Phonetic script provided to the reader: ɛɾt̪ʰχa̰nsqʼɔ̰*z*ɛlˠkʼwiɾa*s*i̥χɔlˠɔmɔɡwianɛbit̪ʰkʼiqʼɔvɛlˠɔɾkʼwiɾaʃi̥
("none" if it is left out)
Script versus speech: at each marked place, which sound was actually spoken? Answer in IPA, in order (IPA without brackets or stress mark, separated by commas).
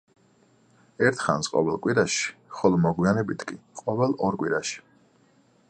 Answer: v, ʃ